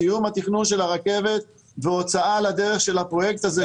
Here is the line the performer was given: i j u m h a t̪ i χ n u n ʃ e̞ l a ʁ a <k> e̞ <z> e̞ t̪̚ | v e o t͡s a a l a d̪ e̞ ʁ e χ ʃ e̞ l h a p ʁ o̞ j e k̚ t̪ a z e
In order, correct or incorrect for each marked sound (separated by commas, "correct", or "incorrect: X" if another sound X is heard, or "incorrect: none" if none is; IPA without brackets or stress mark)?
correct, incorrect: v